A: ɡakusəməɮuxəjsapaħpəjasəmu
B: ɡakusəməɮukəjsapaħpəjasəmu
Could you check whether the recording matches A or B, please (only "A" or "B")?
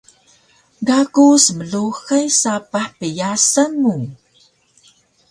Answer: A